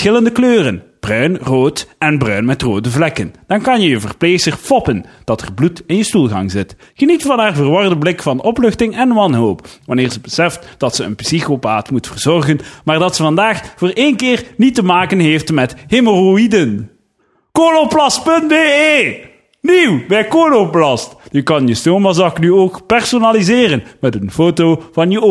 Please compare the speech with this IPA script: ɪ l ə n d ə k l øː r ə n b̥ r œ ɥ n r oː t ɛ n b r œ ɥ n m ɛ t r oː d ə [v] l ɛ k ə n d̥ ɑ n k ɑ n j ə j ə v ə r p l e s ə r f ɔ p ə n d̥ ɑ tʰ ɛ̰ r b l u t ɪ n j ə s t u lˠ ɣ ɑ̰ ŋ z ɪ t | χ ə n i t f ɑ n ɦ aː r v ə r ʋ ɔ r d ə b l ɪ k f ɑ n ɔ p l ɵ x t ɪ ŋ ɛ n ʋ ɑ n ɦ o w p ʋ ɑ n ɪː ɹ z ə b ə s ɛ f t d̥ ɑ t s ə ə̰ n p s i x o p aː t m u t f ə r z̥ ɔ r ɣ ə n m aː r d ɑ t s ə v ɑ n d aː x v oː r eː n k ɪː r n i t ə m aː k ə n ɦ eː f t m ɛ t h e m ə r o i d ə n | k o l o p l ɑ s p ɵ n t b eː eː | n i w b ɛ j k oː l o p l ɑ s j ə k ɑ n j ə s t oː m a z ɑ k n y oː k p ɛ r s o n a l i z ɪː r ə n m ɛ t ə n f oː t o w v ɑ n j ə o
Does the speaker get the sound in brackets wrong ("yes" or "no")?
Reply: no